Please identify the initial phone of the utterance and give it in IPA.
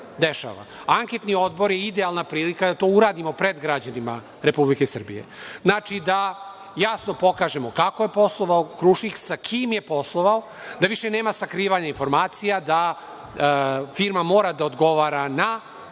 d̪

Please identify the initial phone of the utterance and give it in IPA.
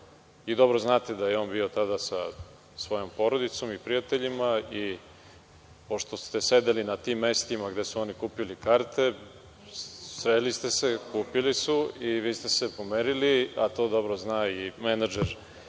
i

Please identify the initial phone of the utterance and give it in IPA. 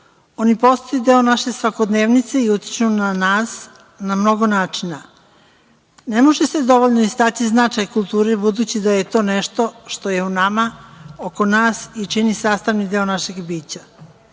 o̞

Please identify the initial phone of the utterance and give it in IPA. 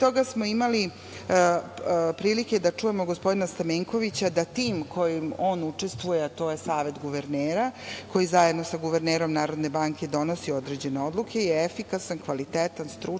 t̪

